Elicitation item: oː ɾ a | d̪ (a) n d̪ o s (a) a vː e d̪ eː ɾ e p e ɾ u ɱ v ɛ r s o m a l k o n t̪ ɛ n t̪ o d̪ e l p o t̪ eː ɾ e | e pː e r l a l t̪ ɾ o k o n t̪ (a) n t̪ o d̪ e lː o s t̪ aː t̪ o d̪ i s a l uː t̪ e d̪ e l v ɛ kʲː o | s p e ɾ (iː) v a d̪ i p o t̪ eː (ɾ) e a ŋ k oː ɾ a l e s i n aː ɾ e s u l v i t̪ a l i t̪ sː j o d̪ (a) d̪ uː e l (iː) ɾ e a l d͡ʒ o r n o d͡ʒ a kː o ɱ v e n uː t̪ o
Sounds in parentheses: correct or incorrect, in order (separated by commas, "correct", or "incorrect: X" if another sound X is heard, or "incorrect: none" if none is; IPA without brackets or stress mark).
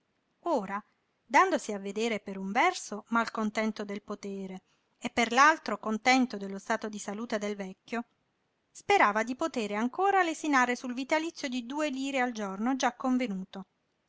correct, incorrect: i, incorrect: ɛ, incorrect: aː, correct, incorrect: i, correct